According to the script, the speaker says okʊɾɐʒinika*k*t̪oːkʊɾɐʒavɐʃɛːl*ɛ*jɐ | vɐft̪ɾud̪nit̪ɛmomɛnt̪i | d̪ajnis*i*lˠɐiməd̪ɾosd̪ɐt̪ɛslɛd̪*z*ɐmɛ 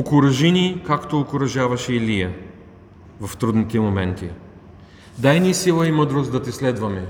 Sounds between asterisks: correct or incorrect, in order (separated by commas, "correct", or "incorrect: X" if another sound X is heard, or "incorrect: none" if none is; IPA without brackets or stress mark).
correct, incorrect: i, correct, incorrect: v